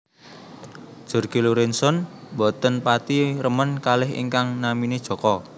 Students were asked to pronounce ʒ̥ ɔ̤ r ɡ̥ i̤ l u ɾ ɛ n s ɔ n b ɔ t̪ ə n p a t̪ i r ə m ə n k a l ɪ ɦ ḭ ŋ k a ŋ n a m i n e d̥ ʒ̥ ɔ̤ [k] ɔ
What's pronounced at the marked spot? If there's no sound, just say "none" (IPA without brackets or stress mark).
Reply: k